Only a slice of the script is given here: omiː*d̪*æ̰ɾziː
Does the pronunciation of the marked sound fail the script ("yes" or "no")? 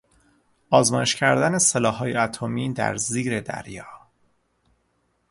no